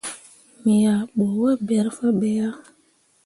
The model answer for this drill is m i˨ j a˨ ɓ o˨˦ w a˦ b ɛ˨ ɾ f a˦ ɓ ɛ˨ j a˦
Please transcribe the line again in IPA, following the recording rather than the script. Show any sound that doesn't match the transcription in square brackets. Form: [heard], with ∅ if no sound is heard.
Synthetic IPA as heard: m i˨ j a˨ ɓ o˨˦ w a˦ b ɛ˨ ɾ f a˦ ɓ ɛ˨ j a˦